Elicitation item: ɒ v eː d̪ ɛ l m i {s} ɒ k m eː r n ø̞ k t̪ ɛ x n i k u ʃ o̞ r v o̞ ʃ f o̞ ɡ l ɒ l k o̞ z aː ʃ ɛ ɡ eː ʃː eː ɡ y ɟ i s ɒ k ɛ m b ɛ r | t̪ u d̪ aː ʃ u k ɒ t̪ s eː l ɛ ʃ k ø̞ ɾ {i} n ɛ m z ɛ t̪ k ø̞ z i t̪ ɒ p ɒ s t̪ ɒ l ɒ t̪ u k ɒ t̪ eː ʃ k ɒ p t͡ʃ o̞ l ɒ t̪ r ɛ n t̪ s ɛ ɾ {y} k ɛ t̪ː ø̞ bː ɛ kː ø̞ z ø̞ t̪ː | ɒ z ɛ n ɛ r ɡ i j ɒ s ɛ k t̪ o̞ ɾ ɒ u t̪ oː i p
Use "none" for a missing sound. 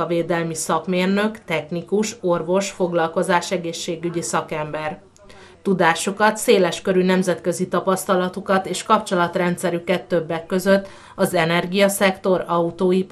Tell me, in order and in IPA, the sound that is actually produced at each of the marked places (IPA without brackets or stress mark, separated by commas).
s, y, y